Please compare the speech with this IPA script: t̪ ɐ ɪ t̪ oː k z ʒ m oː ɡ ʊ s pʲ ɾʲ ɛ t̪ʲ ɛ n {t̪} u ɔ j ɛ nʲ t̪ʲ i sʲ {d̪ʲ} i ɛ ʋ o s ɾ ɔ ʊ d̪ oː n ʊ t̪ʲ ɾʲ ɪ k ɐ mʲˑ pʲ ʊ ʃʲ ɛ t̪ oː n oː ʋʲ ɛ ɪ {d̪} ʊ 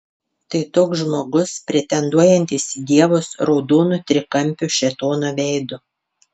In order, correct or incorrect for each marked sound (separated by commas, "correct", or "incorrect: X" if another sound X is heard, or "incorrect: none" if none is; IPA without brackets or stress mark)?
incorrect: d̪, correct, correct